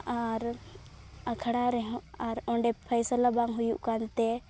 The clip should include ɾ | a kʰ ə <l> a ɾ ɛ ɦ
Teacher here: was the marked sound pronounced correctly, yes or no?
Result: no